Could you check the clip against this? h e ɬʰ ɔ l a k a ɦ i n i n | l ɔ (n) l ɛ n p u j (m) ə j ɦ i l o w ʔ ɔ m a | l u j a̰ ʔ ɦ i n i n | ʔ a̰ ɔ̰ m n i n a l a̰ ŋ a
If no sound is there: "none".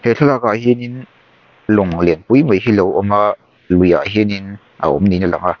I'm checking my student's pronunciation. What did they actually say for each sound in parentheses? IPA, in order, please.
ŋ, m

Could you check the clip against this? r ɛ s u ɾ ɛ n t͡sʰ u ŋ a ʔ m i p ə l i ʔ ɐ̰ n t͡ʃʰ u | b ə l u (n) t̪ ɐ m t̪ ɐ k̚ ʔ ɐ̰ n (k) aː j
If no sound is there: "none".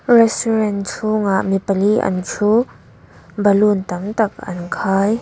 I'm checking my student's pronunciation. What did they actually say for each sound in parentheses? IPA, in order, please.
n, kʰ

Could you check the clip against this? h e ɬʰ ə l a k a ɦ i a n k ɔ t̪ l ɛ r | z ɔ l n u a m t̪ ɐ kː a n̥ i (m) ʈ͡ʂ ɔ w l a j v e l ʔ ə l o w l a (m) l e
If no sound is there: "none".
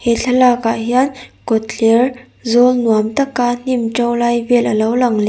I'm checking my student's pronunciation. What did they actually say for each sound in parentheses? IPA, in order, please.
m, ŋ

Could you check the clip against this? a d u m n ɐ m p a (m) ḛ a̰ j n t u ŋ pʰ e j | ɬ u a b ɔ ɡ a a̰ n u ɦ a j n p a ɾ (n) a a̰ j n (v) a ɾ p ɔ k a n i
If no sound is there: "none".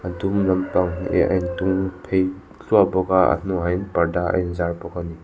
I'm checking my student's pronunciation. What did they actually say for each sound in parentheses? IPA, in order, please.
ŋ, d, z

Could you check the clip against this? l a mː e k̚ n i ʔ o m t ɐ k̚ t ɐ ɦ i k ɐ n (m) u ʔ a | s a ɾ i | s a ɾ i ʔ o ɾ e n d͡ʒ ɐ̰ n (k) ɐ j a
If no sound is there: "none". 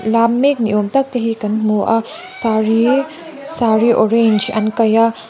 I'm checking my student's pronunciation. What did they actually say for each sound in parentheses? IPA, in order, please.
m, k

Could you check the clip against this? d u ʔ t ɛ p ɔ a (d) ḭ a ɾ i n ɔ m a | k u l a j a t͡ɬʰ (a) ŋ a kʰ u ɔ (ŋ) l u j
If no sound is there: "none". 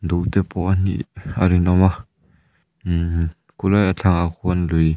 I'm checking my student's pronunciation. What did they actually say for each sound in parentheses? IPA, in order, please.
n, a, n

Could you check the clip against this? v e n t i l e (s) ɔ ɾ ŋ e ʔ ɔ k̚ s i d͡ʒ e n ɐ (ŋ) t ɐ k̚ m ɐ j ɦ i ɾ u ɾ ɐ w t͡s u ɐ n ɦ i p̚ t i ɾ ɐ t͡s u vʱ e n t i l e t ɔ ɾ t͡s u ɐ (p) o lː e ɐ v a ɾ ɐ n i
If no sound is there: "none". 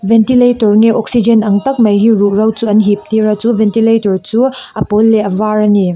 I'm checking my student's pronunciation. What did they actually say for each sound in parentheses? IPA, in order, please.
t, ŋ, p

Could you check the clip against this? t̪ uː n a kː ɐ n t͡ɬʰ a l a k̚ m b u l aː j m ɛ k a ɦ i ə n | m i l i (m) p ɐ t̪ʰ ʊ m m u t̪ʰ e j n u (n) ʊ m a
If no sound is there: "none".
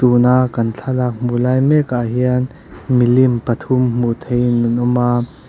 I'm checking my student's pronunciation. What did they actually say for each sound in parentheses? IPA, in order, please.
m, n

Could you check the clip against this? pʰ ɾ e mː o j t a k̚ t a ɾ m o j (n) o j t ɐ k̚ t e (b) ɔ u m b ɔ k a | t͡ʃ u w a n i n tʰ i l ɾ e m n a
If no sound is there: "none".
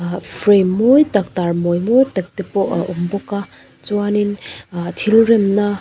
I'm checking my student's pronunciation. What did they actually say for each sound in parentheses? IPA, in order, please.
m, p

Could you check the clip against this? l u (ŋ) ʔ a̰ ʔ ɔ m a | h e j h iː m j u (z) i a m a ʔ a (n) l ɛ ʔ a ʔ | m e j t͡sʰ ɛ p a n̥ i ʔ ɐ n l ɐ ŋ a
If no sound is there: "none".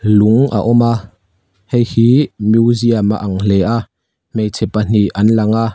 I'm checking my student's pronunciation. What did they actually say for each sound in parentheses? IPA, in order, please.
ŋ, z, ŋ

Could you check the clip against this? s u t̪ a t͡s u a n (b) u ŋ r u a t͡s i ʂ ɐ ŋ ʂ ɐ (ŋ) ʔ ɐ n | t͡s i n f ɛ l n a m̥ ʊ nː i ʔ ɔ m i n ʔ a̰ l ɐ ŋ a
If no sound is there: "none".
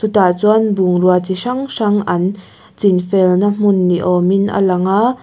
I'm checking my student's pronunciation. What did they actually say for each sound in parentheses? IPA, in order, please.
b, ŋ

